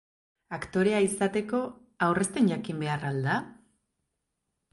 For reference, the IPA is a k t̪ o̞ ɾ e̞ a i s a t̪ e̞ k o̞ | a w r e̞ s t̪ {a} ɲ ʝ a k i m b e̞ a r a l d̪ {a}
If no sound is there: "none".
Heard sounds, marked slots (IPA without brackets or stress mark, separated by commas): e, a